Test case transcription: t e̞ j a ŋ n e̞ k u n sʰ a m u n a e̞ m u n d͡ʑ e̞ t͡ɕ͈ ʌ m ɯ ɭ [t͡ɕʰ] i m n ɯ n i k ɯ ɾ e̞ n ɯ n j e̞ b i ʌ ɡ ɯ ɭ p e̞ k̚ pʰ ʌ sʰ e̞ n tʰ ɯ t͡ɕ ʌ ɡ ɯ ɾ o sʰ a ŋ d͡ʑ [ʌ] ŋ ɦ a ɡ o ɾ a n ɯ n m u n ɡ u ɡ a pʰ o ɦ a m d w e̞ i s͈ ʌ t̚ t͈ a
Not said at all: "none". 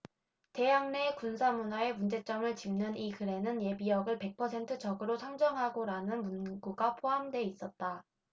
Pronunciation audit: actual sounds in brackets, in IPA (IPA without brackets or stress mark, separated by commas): t͡ɕ, ʌ